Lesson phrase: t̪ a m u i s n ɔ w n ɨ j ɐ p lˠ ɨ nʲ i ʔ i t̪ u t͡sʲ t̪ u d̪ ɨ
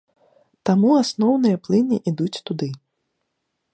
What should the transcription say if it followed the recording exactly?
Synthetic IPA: t̪ a m u a s n ɔ w n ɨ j ɐ p lˠ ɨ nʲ i ʔ i d̪ u t͡sʲ t̪ u d̪ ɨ